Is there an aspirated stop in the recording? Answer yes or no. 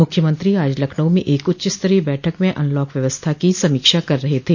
yes